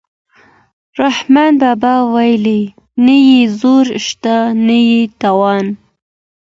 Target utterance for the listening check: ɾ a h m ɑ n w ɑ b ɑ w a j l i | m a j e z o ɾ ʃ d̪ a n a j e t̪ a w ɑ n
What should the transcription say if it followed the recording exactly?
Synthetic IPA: ɾ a h m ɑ n b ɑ b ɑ w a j l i | n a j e z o ɾ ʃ t̪ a n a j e t̪ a w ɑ n